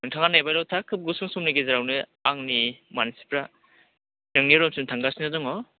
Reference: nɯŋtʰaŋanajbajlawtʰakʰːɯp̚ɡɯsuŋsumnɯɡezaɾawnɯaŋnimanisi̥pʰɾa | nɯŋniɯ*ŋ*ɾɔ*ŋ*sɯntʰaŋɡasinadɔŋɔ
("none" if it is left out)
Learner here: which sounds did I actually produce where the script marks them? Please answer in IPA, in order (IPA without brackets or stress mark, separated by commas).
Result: none, m